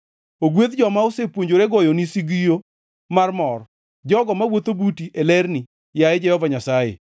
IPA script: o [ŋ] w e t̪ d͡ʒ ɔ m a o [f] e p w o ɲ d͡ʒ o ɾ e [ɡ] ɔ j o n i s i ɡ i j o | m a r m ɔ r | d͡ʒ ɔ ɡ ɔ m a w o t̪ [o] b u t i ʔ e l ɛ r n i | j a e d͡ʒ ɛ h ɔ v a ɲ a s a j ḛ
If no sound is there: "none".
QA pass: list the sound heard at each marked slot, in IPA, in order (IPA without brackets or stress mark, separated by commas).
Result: ɡ, s, ɡ, o